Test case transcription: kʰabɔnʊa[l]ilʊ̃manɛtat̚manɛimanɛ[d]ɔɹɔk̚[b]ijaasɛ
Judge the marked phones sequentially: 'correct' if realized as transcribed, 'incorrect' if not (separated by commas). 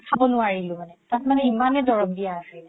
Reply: incorrect, correct, incorrect